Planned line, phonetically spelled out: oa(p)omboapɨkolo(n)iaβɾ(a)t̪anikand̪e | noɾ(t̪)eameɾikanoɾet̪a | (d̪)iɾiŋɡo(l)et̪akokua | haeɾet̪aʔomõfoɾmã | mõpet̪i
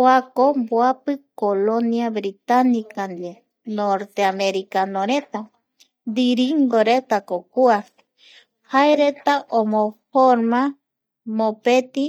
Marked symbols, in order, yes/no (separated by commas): no, yes, no, yes, yes, no